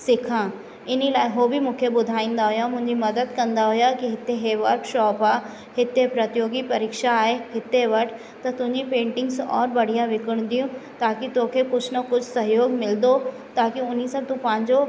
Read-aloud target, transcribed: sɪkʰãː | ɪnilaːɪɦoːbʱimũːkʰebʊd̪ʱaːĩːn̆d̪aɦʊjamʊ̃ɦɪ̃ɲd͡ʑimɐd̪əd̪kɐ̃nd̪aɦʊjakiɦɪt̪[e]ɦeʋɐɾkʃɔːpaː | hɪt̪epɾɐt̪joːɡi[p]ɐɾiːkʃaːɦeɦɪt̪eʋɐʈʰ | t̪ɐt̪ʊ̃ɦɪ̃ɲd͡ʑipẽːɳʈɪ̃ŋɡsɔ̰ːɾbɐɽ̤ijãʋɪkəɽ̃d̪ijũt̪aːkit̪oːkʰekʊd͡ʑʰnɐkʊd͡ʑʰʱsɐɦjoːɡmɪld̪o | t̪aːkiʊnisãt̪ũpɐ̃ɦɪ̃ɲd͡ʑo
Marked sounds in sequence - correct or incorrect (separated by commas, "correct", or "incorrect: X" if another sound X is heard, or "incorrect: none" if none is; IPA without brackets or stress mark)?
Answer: correct, correct